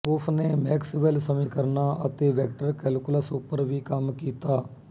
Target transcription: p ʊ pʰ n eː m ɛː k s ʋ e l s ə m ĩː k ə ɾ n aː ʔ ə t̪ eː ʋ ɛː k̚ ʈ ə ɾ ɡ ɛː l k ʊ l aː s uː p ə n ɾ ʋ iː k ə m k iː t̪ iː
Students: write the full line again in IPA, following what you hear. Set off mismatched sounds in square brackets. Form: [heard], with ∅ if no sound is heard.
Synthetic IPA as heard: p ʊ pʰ n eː m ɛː k s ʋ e l s ə m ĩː k ə ɾ n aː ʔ ə t̪ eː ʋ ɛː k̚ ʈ ə ɾ [k] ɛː l k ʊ l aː s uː p ə [∅] ɾ ʋ iː k ə m k iː t̪ [aː]